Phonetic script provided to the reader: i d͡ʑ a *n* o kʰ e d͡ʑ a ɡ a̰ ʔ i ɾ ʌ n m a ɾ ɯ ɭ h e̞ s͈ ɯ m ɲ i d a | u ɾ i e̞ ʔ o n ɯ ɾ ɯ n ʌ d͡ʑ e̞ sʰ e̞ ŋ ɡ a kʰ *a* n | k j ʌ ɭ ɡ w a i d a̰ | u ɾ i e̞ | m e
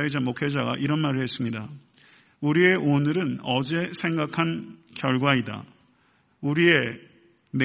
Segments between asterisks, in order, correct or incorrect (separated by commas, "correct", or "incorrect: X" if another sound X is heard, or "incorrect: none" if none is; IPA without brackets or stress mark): incorrect: m, correct